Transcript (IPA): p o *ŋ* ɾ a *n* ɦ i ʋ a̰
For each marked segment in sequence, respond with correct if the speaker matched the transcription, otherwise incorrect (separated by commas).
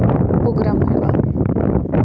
incorrect, incorrect